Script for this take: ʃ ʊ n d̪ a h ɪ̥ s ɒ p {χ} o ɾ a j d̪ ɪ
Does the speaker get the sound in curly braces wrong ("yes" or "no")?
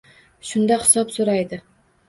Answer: yes